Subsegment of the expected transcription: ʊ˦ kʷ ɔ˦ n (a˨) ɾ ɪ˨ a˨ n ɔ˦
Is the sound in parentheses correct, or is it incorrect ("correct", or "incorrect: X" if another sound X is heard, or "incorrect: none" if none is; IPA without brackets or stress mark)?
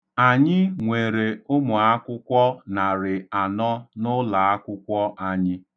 correct